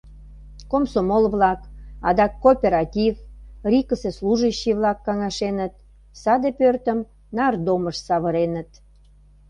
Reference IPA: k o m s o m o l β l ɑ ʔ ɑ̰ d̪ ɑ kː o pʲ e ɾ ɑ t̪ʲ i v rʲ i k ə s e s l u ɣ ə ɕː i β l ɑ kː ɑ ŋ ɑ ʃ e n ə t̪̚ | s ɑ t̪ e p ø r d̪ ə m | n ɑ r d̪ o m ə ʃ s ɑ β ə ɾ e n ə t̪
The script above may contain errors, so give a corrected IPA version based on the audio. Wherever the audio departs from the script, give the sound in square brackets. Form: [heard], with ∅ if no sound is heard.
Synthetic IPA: k o m s o m o l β l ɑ [k] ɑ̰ d̪ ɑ kː o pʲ e ɾ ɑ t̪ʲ i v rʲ i k ə s e s l u [ʒ] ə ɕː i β l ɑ kː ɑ ŋ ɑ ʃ e n ə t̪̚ | s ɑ [d̪] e p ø r [t̪] ə m | n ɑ r d̪ o m ə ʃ s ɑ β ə ɾ e n ə t̪